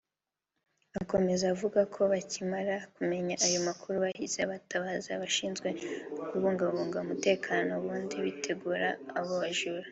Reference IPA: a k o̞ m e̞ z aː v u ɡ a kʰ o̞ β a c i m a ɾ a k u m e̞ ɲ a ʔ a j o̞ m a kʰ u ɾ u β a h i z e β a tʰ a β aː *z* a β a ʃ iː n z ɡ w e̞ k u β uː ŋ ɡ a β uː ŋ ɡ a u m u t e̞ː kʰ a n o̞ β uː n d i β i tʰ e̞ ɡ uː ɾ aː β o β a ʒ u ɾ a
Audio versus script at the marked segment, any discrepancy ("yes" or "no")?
no